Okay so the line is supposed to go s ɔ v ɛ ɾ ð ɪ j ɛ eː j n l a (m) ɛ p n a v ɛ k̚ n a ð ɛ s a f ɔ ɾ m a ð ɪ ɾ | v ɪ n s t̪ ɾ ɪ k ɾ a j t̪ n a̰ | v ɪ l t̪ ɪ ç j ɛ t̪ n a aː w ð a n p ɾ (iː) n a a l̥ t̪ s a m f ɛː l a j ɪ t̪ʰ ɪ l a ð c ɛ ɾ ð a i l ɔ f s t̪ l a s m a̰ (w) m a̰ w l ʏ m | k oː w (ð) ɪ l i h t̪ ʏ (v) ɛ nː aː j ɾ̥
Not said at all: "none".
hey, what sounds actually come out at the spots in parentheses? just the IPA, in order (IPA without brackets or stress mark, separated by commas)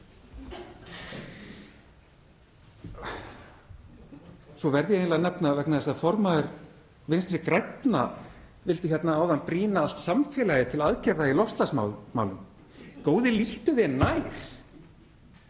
n, iː, w, ð, ð